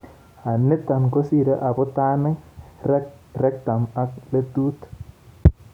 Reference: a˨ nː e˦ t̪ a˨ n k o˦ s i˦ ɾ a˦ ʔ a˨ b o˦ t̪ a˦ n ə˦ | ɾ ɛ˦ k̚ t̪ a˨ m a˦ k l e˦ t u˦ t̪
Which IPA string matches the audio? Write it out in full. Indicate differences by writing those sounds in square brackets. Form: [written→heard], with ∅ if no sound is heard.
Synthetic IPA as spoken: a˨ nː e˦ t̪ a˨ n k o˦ s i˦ ɾ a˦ ʔ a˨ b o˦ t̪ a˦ n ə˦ | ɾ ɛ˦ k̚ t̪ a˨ m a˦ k l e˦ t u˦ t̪